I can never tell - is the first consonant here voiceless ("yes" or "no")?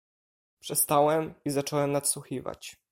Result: yes